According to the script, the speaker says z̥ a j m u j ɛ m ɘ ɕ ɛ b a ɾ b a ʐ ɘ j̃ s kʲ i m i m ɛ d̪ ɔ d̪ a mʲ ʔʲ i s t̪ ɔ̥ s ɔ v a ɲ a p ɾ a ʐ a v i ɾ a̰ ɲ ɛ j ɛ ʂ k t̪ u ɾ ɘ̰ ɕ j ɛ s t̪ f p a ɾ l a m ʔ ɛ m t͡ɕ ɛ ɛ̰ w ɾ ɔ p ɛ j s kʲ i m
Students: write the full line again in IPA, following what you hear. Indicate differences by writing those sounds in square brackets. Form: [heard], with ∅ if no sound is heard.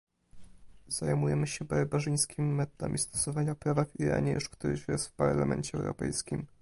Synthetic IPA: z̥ a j m u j ɛ m ɘ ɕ ɛ b a ɾ b a ʐ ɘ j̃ s kʲ i m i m ɛ [t̪] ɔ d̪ a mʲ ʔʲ i s t̪ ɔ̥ s ɔ v a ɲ a p ɾ a [v] a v i ɾ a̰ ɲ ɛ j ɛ ʂ k t̪ u ɾ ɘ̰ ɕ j ɛ s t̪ f p a ɾ l a m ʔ ɛ [ɲ] t͡ɕ ɛ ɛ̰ w ɾ ɔ p ɛ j s kʲ i m